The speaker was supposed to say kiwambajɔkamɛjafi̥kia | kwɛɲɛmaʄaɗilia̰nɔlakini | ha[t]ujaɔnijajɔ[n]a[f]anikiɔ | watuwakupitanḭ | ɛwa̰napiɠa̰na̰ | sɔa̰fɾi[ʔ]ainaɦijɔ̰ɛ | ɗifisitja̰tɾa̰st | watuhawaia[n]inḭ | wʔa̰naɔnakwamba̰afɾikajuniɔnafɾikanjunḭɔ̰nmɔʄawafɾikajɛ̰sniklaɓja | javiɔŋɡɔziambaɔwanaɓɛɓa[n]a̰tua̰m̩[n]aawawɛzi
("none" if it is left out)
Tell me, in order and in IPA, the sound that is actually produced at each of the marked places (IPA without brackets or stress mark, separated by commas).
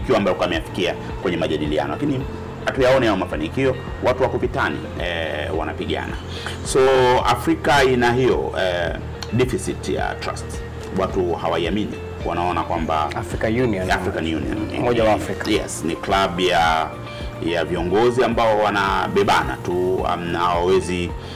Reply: t, m, f, k, m, n, n